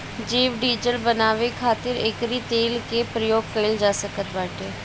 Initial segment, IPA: d͡ʒ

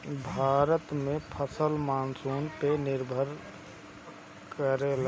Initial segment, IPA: bʱ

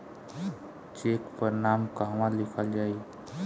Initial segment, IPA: t͡ʃ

